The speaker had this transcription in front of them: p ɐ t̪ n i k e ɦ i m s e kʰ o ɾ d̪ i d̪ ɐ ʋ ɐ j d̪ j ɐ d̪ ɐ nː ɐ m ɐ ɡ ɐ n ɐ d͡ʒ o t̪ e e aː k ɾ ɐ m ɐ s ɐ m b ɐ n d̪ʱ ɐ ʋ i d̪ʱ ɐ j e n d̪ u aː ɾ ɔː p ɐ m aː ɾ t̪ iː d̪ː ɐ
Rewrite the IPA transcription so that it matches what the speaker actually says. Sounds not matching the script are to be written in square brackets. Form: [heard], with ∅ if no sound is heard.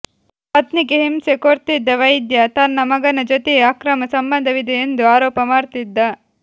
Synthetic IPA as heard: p ɐ t̪ n i k e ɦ i m s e [k] o ɾ [t̪] i [d̪ː] ɐ ʋ ɐ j d̪ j ɐ [t̪] ɐ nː ɐ m ɐ ɡ ɐ n ɐ d͡ʒ o t̪ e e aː k ɾ ɐ m ɐ s ɐ m b ɐ n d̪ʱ ɐ ʋ i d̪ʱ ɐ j e n d̪ u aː ɾ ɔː p ɐ m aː ɾ t̪ [i] d̪ː ɐ